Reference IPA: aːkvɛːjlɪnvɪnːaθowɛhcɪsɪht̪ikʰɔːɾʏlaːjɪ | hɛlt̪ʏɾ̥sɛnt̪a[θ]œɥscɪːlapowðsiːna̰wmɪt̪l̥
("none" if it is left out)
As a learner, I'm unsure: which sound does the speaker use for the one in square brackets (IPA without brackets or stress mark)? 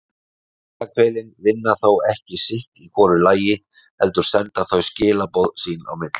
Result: θ